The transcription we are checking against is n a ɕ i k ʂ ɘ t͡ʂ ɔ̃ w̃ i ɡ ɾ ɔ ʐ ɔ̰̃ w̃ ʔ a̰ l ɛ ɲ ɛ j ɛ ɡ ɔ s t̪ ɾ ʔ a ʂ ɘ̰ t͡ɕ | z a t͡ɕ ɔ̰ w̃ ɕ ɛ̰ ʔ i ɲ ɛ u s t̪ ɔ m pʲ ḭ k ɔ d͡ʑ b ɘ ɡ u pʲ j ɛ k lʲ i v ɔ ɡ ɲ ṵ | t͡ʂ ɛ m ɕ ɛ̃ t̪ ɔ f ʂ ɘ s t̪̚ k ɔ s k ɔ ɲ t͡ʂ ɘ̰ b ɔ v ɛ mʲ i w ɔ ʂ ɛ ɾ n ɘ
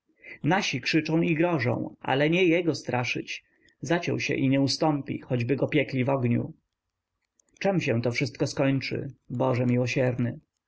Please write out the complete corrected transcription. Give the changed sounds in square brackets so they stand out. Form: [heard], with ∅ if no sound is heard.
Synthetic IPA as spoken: n a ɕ i k ʂ ɘ t͡ʂ ɔ̃ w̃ i ɡ ɾ ɔ ʐ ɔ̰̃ w̃ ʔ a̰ l ɛ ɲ ɛ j ɛ ɡ ɔ s t̪ ɾ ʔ a ʂ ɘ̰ t͡ɕ | z a t͡ɕ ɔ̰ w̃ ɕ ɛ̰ ʔ i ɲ ɛ u s t̪ ɔ m pʲ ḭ [x] ɔ d͡ʑ b ɘ ɡ [ɔ] pʲ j ɛ k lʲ i v ɔ ɡ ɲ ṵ | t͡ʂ ɛ m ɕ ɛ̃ t̪ ɔ f ʂ ɘ s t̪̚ k ɔ s k ɔ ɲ t͡ʂ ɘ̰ b ɔ [ʐ] ɛ mʲ i w ɔ [ɕ] ɛ ɾ n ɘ